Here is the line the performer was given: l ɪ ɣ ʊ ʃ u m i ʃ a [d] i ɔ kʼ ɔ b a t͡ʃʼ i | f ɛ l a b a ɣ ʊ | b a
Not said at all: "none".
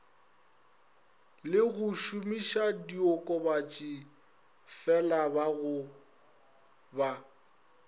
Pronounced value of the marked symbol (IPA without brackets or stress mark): d